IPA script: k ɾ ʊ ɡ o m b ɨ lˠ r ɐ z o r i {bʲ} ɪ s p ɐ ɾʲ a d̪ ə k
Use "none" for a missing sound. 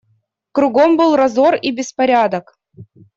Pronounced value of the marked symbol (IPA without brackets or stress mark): bʲ